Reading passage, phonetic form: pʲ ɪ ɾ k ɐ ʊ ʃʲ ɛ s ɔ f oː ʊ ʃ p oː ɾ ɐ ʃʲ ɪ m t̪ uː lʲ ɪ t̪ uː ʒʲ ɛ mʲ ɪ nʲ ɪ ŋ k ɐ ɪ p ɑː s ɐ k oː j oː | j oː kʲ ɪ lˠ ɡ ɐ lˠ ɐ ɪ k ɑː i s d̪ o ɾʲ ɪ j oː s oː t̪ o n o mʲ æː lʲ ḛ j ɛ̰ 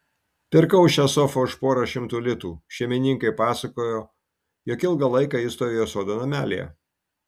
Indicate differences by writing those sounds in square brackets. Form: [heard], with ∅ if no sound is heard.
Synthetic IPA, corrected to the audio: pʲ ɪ ɾ k ɐ ʊ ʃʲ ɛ s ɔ f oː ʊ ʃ p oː ɾ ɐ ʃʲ ɪ m t̪ uː lʲ ɪ t̪ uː [ʃʲ] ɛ mʲ ɪ nʲ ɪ ŋ k ɐ ɪ p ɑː s ɐ k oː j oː | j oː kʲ ɪ lˠ ɡ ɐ lˠ ɐ ɪ k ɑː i s [t̪] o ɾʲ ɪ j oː s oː [d̪] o n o mʲ æː lʲ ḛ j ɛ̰